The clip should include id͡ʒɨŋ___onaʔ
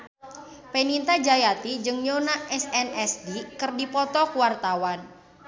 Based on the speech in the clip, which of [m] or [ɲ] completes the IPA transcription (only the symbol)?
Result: ɲ